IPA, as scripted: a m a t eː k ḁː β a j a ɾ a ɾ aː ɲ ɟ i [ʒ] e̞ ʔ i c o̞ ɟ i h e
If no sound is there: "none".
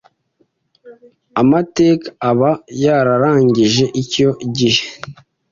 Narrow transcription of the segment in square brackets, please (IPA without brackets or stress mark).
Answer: ʒ